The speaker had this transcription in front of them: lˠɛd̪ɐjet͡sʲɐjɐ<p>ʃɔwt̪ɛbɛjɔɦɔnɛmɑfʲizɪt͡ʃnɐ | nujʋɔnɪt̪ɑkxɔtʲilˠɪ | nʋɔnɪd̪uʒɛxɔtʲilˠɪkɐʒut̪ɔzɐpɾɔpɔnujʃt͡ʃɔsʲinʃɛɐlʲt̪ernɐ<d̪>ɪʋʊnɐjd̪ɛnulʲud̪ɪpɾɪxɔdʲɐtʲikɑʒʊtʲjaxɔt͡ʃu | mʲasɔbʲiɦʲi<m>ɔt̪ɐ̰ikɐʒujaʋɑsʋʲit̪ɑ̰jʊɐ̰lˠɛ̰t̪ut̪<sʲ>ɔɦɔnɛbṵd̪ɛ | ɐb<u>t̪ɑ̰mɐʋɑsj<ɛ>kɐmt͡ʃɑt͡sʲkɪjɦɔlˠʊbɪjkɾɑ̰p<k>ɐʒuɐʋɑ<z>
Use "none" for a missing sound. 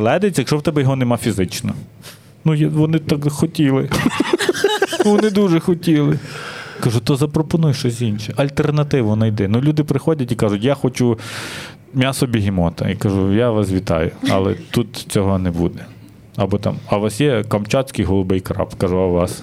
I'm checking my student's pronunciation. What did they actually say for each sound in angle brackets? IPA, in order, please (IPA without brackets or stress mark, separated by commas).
k, t̪, m, t͡sʲ, ɔ, ɛ, k, s